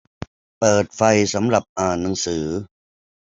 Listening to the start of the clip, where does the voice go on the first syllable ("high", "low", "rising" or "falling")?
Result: low